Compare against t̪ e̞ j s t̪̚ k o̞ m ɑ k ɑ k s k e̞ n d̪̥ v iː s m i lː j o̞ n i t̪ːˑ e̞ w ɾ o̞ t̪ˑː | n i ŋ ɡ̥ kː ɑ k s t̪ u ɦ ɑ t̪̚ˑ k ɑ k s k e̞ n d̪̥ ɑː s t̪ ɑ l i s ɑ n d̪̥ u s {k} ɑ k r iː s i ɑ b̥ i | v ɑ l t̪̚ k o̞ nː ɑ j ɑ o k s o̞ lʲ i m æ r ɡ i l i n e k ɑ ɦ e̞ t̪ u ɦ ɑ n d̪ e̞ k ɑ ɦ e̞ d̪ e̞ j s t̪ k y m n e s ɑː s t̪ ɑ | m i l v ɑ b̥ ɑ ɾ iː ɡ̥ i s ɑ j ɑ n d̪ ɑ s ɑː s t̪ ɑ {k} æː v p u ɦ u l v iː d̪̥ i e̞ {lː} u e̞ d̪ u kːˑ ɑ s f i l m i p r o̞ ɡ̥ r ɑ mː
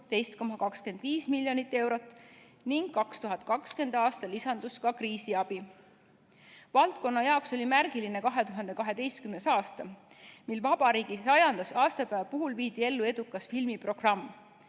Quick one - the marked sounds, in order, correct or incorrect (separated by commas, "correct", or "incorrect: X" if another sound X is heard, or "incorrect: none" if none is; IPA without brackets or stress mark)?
correct, incorrect: p, correct